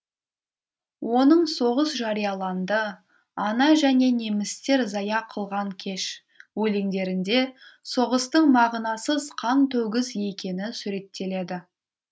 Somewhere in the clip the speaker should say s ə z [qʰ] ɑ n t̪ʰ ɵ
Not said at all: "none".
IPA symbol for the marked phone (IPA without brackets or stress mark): qʰ